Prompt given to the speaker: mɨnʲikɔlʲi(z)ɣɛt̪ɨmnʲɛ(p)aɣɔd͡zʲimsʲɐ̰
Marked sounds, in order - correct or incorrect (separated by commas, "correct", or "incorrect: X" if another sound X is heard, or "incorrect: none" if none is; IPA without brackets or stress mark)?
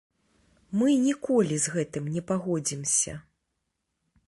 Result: correct, correct